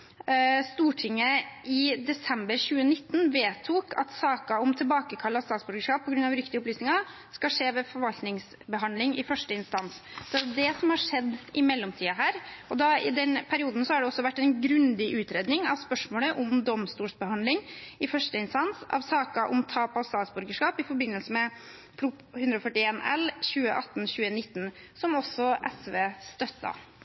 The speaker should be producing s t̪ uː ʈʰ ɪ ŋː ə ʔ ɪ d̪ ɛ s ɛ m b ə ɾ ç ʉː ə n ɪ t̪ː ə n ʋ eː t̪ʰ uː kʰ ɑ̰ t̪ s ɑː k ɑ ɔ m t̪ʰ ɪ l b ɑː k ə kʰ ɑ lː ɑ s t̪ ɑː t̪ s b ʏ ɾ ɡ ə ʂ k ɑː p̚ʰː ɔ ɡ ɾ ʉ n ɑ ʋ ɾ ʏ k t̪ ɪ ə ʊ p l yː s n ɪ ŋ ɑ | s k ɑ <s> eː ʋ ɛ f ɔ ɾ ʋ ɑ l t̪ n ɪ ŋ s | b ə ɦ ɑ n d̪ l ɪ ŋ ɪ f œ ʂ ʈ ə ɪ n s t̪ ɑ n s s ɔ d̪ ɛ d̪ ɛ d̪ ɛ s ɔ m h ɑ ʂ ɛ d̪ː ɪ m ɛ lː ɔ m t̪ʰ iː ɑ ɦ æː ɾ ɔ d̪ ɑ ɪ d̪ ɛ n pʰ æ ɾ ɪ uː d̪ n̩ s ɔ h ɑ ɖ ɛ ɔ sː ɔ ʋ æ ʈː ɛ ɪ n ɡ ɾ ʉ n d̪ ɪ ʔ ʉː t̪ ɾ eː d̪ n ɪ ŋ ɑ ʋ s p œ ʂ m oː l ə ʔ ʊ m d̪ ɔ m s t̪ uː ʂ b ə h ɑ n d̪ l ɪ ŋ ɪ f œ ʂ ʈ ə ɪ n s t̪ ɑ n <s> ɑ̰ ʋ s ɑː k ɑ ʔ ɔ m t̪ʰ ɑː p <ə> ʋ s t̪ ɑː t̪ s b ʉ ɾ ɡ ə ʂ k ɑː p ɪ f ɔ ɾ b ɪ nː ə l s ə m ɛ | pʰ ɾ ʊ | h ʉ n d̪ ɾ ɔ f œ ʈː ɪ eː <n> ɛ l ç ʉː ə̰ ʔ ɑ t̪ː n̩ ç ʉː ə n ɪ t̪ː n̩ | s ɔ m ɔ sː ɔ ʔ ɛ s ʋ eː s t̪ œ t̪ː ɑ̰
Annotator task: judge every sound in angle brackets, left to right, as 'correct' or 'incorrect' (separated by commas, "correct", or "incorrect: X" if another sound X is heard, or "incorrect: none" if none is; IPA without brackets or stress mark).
incorrect: ʂ, correct, incorrect: ɑ, correct